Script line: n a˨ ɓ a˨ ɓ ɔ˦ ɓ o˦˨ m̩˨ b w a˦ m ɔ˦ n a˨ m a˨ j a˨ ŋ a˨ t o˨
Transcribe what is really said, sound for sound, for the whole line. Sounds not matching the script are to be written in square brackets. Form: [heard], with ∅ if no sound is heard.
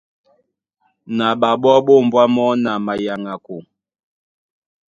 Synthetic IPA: n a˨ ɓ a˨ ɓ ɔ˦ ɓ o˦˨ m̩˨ b w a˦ m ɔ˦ n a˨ m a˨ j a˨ ŋ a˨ [k] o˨